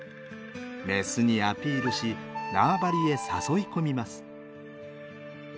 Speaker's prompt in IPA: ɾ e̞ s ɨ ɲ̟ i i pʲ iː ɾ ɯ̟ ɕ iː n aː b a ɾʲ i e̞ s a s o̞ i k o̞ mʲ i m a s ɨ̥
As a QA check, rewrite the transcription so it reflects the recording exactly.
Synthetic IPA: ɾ e̞ s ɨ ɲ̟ i a pʲ iː ɾ ɯ̟ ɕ i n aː b a ɾʲ i e̞ s a s o̞ i k o̞ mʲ i m a s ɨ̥